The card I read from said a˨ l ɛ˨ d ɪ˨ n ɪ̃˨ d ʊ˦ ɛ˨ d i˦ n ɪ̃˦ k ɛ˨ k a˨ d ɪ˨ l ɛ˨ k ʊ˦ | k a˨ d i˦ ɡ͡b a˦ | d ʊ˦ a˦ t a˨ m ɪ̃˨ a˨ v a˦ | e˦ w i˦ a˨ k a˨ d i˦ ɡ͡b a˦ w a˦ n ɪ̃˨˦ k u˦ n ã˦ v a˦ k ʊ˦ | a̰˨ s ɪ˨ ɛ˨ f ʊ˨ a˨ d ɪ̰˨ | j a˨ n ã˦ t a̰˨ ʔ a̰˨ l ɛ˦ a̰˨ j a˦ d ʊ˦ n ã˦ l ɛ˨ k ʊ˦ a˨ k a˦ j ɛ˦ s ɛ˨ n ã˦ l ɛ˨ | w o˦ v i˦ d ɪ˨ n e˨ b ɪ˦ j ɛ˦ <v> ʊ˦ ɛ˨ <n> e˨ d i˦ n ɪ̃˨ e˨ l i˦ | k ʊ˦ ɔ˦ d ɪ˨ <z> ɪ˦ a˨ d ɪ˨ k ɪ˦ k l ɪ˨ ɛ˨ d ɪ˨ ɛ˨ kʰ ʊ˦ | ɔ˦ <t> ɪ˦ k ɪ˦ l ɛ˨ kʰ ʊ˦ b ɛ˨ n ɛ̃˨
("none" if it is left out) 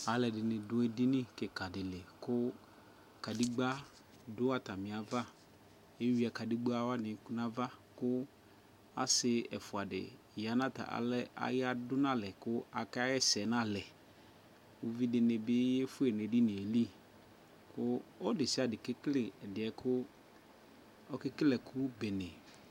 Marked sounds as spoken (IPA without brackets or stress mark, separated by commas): f, n, s, k